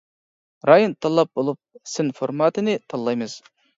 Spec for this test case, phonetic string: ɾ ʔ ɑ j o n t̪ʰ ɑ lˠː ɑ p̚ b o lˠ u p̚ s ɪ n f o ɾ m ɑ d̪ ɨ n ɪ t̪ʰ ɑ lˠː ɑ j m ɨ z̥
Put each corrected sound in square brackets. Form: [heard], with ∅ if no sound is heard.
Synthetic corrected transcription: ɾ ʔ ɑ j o n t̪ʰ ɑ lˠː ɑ p̚ b o lˠ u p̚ s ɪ n f o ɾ m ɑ [t̪] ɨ n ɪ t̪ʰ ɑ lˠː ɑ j m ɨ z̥